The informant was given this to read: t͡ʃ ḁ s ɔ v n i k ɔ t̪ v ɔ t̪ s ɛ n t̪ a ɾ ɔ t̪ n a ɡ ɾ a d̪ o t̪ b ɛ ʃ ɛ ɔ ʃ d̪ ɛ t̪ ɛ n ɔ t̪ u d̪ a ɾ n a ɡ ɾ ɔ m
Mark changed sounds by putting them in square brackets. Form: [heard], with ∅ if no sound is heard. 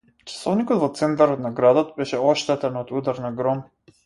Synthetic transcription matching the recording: t͡ʃ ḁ s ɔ v n i k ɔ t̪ v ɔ t̪ s ɛ n t̪ a ɾ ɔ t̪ n a ɡ ɾ a d̪ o t̪ b ɛ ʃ ɛ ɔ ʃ [t̪] ɛ t̪ ɛ n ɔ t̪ u d̪ a ɾ n a ɡ ɾ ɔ m

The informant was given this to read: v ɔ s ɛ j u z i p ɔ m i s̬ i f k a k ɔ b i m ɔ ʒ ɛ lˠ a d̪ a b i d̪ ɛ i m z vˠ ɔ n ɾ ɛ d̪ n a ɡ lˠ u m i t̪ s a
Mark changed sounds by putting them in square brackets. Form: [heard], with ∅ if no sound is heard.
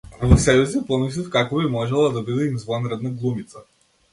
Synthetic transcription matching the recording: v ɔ s ɛ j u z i p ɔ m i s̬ i f k a k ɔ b i m ɔ ʒ ɛ lˠ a d̪ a b i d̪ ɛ i m z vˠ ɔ n ɾ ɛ d̪ n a ɡ lˠ u m i t̪ s a

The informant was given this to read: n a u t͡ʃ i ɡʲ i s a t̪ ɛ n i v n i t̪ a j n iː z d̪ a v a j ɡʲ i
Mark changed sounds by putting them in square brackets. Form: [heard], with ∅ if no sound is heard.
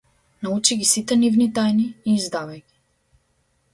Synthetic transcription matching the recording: n a u t͡ʃ i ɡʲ i s [i] t̪ ɛ n i v n i t̪ a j n iː z d̪ a v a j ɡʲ i

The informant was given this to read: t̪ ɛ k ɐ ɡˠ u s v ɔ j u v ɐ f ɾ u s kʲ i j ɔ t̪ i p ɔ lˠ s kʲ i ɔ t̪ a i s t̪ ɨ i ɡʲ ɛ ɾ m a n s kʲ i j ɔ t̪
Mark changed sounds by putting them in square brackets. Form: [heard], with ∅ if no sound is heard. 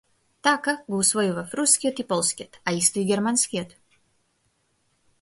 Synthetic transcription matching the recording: t̪ [a] k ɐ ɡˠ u s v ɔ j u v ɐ f ɾ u s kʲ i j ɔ t̪ i p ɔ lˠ s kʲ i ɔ t̪ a i s t̪ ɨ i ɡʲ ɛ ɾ m a n s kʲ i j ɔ t̪

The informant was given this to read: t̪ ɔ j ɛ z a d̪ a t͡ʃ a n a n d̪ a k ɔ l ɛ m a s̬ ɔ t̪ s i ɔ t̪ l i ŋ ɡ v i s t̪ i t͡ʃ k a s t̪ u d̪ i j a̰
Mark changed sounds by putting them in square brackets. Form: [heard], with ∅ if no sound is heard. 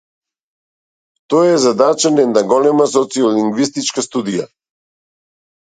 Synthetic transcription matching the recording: t̪ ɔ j ɛ z a d̪ a t͡ʃ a n [ɛ] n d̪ a [ɡ] ɔ l ɛ m a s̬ ɔ t̪ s i ɔ [∅] l i ŋ ɡ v i s t̪ i t͡ʃ k a s t̪ u d̪ i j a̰

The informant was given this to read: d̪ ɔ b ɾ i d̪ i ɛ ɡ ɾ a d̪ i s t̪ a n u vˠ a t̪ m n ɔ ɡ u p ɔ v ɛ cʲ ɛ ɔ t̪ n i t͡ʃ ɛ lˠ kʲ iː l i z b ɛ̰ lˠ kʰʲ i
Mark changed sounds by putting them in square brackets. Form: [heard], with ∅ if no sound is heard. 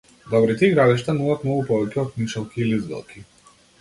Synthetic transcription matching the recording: d̪ ɔ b ɾ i [t̪] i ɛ ɡ ɾ a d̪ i [ʃ] t̪ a n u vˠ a t̪ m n ɔ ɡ u p ɔ v ɛ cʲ ɛ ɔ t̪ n i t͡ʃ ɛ lˠ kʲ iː l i z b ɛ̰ lˠ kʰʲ i

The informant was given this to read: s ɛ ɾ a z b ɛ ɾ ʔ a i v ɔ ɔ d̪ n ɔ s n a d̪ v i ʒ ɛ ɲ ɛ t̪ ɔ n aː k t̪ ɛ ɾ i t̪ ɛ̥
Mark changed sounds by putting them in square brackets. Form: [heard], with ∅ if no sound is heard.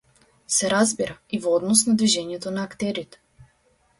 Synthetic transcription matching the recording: s ɛ ɾ a z b [i] ɾ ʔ a i v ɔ ɔ d̪ n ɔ s n a d̪ v i ʒ ɛ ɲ ɛ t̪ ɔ n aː k t̪ ɛ ɾ i t̪ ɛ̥

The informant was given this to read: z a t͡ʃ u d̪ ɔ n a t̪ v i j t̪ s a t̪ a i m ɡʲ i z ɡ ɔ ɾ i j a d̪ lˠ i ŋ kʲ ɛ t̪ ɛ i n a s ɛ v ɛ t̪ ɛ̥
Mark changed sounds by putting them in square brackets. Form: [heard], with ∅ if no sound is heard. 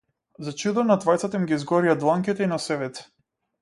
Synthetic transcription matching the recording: z a t͡ʃ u d̪ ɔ n a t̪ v [a] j t̪ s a t̪ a i m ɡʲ i z ɡ ɔ ɾ i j a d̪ lˠ [a] ŋ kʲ [i] t̪ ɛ i n a s ɛ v ɛ t̪ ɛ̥

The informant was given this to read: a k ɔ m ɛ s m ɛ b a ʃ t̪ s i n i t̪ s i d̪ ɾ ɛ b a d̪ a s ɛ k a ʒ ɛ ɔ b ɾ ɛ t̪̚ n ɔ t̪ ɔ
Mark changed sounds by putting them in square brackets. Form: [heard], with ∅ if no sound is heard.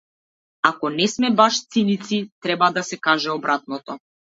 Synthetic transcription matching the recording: a k ɔ [n] ɛ s m ɛ b a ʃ t̪ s i n i t̪ s i [t̪] ɾ ɛ b a d̪ a s ɛ k a ʒ ɛ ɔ b ɾ [a] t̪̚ n ɔ t̪ ɔ

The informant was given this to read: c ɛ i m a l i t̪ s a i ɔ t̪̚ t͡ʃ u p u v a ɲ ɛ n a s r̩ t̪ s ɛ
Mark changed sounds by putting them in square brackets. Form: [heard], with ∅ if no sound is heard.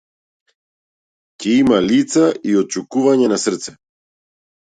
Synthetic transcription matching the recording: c ɛ i m a l i t̪ s a i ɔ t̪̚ t͡ʃ u [k] u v a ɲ ɛ n a s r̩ t̪ s ɛ

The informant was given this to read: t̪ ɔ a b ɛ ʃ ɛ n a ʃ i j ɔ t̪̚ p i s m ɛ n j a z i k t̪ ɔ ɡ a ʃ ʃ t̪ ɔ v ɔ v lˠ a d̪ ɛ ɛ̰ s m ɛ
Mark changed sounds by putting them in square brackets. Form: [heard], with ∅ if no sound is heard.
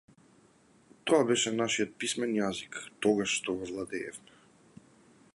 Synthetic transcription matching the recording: t̪ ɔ a b ɛ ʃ ɛ n a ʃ i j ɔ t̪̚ p i s m ɛ n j a z i k t̪ ɔ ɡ a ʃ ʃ t̪ ɔ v ɔ v lˠ a d̪ ɛ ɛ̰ [f] m ɛ

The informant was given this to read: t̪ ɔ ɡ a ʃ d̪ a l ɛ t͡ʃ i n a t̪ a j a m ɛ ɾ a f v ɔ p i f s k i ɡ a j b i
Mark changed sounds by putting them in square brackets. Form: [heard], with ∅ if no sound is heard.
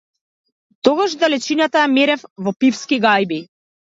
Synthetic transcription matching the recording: t̪ ɔ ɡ a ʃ d̪ a l ɛ t͡ʃ i n a t̪ a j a m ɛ ɾ [ɛ] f v ɔ p i f s k i ɡ a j b i

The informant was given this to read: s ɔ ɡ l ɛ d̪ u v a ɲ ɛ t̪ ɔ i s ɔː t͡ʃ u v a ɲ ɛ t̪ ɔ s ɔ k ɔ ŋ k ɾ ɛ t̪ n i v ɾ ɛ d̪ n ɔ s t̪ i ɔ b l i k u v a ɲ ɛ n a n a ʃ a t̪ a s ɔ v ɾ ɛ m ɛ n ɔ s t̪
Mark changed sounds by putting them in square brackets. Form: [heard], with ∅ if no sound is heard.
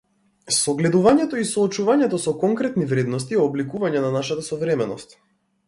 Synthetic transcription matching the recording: s ɔ ɡ l ɛ d̪ u v a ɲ ɛ t̪ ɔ i s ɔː t͡ʃ u v a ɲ ɛ t̪ ɔ s ɔ k ɔ ŋ k ɾ ɛ t̪ n i v ɾ ɛ d̪ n ɔ s t̪ i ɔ b l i k u v a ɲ ɛ n a n a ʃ a t̪ a s ɔ v ɾ ɛ m ɛ n ɔ s t̪

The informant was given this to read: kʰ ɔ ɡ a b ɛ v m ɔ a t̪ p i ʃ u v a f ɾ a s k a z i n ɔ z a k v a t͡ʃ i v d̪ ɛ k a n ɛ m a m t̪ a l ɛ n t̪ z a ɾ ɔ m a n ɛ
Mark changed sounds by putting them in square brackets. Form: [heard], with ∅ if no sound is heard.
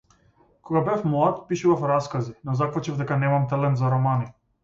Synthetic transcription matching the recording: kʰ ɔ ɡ a b ɛ [f] m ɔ a t̪ p i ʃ u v a f ɾ a s k a z i n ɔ z a k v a t͡ʃ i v d̪ ɛ k a n ɛ m a m t̪ a l ɛ n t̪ z a ɾ ɔ m a n [i]

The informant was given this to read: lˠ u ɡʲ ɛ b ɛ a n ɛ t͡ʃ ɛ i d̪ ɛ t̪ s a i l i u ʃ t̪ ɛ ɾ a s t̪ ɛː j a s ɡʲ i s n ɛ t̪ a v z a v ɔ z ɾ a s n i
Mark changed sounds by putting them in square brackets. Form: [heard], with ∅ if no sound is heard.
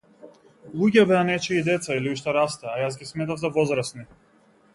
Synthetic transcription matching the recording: lˠ u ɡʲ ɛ b ɛ a n ɛ t͡ʃ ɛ i d̪ ɛ t̪ s a i l i u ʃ t̪ ɛ ɾ a s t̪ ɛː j a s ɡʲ i s [m] ɛ t̪ a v z a v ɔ z ɾ a s n i

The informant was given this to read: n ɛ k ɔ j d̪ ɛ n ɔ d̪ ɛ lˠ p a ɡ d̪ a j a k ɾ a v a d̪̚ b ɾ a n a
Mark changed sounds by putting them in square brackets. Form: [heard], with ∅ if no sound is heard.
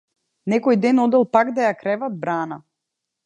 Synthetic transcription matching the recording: n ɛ k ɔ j d̪ ɛ n ɔ d̪ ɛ lˠ p a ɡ d̪ a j a k ɾ [ɛ] v a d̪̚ b ɾ a n a

